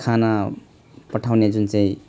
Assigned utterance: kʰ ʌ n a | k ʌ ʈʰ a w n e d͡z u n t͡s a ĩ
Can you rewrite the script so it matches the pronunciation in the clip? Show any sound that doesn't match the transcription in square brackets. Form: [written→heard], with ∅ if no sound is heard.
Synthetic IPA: kʰ [ʌ→a] n a | [k→p] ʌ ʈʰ a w n e d͡z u n t͡s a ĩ